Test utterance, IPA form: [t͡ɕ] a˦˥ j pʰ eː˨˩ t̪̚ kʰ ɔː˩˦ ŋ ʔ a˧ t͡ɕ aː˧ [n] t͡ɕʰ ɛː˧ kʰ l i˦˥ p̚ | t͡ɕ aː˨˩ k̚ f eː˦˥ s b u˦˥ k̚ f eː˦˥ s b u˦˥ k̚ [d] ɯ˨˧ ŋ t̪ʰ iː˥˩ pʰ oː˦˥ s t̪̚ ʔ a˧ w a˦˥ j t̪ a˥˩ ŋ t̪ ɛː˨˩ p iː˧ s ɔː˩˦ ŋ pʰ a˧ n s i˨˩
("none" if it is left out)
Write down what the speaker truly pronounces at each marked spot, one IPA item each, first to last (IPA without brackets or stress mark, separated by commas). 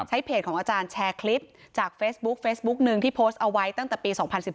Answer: t͡ɕʰ, n, n